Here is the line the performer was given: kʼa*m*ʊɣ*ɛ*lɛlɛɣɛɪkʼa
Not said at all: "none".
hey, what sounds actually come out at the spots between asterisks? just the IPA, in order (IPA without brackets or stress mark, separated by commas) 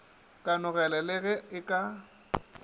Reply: n, ɛ